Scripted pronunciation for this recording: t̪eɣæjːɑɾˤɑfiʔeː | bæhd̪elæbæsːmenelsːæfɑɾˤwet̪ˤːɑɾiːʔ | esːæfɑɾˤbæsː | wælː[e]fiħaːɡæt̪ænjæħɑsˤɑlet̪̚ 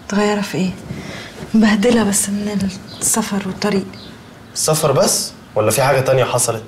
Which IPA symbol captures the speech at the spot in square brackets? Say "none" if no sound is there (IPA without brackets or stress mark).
æ